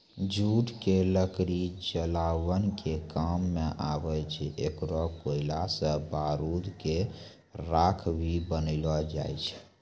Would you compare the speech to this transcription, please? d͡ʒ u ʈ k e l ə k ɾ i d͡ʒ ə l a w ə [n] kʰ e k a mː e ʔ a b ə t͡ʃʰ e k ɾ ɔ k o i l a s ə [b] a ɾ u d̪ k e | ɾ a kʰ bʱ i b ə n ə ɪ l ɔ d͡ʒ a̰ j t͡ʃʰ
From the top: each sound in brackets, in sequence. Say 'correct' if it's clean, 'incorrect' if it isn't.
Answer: correct, correct

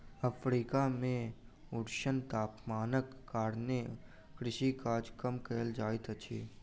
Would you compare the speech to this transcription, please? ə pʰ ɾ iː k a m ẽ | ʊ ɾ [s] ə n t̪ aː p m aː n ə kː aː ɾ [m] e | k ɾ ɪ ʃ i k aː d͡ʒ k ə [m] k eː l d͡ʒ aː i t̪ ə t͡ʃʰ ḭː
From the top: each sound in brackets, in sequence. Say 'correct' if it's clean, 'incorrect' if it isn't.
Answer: incorrect, incorrect, correct

